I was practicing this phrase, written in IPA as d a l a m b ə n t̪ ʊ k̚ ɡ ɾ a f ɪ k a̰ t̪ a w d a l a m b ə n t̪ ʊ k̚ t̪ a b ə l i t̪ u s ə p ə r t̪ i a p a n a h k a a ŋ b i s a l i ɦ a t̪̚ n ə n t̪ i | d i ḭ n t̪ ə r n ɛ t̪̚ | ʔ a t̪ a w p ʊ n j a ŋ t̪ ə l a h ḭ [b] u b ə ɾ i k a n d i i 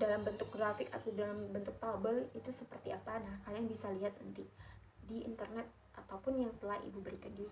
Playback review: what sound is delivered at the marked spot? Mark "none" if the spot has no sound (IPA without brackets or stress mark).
b